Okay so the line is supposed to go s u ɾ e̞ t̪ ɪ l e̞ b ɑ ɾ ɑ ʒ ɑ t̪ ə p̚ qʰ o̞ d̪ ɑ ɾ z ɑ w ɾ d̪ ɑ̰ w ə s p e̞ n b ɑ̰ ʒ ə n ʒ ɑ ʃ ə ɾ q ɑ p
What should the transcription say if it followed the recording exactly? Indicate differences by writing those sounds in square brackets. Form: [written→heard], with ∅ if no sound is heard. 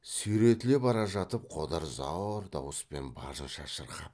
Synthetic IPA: s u ɾ e̞ t̪ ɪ l e̞ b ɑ ɾ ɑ ʒ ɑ t̪ ə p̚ qʰ o̞ d̪ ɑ ɾ z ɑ w ɾ d̪ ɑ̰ w ə s p e̞ n b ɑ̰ ʒ ə n [ʒ→ʃ] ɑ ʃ ə ɾ q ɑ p